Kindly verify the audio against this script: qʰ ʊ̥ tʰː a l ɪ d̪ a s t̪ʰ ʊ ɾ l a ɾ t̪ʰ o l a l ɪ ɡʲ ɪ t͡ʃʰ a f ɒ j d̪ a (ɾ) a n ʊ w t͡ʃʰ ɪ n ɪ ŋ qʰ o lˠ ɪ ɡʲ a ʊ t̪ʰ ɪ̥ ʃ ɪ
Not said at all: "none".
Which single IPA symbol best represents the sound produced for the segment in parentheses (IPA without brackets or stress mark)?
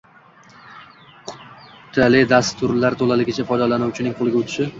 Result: l